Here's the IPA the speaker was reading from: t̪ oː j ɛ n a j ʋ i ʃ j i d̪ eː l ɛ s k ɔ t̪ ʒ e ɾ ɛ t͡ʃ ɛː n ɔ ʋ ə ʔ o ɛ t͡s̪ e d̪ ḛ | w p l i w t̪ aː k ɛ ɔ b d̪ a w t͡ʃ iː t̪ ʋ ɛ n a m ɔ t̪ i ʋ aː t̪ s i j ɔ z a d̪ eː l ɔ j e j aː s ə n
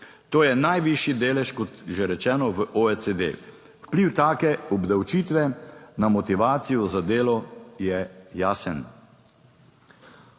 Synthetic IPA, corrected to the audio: t̪ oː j ɛ n a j ʋ i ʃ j i d̪ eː l ɛ ʃ k ɔ t̪ ʒ e ɾ ɛ t͡ʃ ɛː n ɔ ʋ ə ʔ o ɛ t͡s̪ e d̪ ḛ | w p l i w t̪ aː k ɛ ɔ b d̪ a w t͡ʃ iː t̪ ʋ ɛ n a m ɔ t̪ i ʋ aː t̪ s i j ɔ z a d̪ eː l ɔ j ɛ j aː s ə n

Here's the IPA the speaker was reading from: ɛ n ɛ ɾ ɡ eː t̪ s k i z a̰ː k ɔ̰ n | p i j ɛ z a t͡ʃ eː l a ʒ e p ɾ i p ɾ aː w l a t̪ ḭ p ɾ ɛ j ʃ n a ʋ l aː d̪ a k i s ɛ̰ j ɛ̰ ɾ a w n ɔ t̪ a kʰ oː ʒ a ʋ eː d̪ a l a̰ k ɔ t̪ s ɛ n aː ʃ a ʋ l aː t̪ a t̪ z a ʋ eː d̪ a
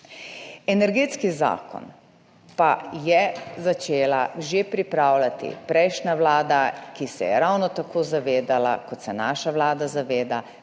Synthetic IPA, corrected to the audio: ɛ n ɛ ɾ ɡ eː t̪ s k i z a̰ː k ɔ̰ n | p a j ɛ z a t͡ʃ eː l a ʒ e p ɾ i p ɾ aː w l a t̪ ḭ p ɾ ɛ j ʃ n a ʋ l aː d̪ a k i s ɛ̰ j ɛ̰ ɾ a w n ɔ t̪ a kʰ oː z a ʋ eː d̪ a l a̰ k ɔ t̪ s ɛ n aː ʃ a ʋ l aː d̪ a z a ʋ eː d̪ a

